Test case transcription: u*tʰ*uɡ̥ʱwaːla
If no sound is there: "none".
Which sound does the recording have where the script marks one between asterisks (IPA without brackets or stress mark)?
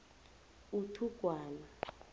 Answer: tʰ